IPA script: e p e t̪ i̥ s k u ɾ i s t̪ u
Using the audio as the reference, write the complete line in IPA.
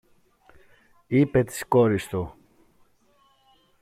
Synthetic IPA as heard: i p e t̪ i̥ s k o ɾ i s t̪ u